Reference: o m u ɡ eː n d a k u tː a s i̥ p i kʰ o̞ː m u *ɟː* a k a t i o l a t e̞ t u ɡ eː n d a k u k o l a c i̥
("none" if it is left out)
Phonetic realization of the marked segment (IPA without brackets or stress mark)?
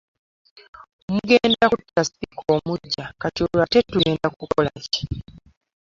ɟː